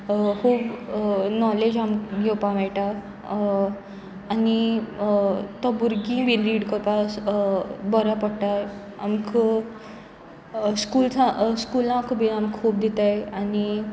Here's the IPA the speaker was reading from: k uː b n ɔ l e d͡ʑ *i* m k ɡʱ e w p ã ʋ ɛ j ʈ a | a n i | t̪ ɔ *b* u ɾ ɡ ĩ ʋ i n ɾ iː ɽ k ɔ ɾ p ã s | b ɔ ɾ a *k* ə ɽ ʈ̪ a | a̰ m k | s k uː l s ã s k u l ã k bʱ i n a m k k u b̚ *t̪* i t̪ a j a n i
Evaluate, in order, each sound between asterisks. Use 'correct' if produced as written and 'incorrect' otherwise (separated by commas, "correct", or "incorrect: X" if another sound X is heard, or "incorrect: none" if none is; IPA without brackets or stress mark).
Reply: incorrect: a, correct, incorrect: p, incorrect: d̪